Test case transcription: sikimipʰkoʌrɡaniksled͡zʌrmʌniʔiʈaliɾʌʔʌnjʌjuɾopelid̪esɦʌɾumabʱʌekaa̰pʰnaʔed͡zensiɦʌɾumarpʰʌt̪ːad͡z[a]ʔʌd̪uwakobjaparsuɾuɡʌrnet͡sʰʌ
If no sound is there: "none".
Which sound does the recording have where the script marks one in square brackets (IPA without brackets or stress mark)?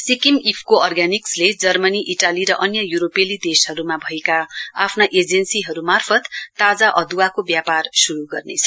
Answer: a